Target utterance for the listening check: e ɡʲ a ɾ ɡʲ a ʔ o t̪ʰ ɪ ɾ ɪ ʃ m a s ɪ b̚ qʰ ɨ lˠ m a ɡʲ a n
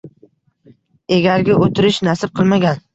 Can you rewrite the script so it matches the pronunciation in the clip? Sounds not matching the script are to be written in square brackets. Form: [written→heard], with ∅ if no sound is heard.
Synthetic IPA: e ɡʲ a ɾ ɡʲ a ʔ o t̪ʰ ɪ ɾ ɪ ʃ [m→n] a s ɪ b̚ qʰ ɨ lˠ m a ɡʲ a n